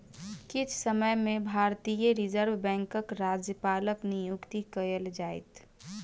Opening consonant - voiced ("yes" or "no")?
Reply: no